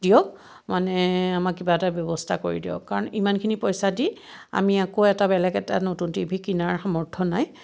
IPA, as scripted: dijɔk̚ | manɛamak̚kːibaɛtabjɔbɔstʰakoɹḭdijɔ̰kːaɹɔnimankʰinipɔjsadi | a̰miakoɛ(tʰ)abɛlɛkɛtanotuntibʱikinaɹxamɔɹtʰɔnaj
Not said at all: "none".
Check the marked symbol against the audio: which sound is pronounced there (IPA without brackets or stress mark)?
t